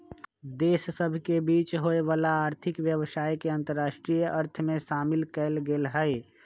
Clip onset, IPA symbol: d̪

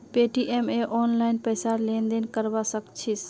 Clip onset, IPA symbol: p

